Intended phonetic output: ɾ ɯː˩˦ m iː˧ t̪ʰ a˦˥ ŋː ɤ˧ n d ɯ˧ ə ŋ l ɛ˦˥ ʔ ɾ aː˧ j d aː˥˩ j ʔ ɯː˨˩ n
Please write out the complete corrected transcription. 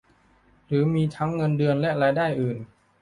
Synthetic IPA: ɾ ɯː˩˦ m iː˧ t̪ʰ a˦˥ ŋː ɤ˧ n d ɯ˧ ə n l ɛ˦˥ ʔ ɾ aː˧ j d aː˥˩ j ʔ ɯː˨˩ n